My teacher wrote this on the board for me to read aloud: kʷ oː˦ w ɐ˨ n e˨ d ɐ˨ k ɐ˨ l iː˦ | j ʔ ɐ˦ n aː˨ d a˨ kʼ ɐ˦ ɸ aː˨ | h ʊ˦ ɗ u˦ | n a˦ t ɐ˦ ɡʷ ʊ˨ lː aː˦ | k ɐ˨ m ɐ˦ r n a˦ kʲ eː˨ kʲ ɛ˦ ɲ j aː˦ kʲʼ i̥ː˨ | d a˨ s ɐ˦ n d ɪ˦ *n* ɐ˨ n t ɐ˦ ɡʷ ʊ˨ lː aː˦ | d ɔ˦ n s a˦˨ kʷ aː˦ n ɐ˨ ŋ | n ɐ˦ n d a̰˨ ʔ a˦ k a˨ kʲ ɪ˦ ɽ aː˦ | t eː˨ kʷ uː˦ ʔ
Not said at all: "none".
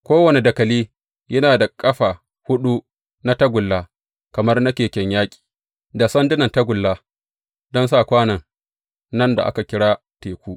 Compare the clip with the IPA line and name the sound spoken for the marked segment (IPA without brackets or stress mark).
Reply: n